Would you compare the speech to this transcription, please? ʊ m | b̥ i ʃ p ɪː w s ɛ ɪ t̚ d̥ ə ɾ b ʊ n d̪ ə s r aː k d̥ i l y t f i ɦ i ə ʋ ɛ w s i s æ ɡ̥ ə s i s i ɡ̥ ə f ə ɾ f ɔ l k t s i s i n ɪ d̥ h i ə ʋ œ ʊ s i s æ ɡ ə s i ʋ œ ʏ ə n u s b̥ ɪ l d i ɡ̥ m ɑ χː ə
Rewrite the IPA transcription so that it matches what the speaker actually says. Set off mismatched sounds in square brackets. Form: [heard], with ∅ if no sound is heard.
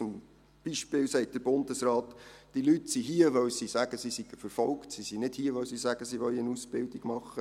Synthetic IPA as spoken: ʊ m | b̥ i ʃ p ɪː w s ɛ ɪ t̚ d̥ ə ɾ b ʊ n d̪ ə s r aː [t] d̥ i l y t [s] i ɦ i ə ʋ [œ] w s i s æ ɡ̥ ə s i s i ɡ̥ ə f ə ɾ f ɔ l k t s i s i n ɪ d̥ h i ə ʋ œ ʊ s i s æ ɡ ə s i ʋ œ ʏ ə n u s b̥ ɪ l d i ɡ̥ m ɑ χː ə